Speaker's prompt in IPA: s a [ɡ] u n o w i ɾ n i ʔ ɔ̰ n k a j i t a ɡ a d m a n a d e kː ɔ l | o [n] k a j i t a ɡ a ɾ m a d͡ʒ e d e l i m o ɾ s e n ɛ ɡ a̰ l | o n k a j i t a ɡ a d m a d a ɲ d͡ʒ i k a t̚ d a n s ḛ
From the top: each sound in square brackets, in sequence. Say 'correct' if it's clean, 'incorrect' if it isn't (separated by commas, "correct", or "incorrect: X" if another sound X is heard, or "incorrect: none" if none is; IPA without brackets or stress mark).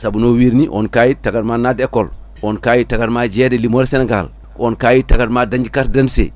incorrect: b, correct